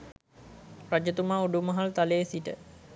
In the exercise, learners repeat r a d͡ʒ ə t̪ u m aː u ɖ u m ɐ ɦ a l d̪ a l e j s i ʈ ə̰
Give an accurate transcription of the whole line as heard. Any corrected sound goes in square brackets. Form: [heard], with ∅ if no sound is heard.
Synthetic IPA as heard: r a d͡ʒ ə t̪ u m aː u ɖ u m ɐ ɦ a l [t̪] a l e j s i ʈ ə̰